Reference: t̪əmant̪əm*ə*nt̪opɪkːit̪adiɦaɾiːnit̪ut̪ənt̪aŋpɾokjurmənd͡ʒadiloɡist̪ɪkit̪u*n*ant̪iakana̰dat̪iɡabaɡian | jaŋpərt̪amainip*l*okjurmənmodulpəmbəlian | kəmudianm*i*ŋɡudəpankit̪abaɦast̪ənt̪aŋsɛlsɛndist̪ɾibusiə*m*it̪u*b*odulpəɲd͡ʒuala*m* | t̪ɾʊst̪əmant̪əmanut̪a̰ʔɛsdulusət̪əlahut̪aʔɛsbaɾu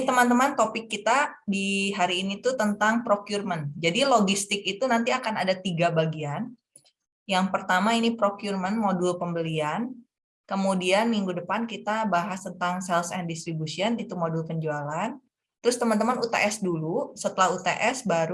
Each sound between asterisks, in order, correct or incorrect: incorrect: a, correct, incorrect: ɾ, correct, incorrect: n, incorrect: m, incorrect: n

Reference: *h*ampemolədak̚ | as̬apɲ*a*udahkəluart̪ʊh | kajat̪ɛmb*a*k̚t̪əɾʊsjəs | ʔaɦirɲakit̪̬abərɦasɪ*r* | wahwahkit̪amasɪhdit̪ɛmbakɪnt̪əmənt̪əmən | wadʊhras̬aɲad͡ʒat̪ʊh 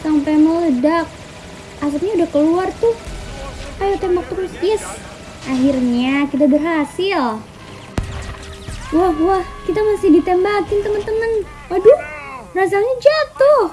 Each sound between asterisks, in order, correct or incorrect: incorrect: s, correct, correct, incorrect: l

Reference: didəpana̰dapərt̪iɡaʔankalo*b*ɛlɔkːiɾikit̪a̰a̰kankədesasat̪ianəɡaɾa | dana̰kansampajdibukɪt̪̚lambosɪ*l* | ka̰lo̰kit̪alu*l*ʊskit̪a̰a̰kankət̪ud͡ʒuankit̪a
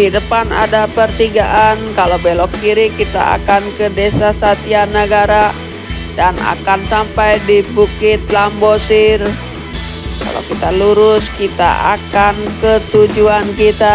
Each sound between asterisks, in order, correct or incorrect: correct, incorrect: r, incorrect: ɾ

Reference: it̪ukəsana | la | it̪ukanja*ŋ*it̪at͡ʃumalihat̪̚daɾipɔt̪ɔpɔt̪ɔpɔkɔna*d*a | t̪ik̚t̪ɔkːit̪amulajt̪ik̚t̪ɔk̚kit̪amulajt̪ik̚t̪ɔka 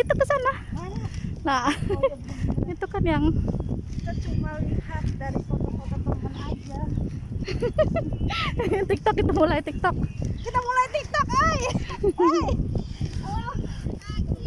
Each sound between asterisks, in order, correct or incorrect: correct, incorrect: d͡ʒ

